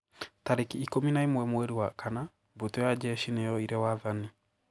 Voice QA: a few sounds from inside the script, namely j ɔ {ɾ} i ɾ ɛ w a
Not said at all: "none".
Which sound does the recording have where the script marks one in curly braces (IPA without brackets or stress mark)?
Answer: none